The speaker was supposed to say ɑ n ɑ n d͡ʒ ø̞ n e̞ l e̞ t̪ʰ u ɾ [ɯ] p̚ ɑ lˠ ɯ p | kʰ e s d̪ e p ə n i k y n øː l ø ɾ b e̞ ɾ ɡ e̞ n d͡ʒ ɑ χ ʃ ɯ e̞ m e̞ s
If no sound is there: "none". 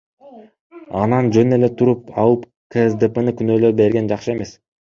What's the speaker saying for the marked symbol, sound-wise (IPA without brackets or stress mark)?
u